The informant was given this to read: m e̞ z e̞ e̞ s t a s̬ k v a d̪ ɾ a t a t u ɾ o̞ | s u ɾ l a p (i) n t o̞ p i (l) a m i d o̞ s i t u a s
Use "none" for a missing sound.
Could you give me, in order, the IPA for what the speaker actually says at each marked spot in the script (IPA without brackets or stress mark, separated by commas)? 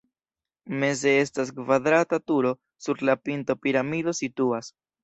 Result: i, ɾ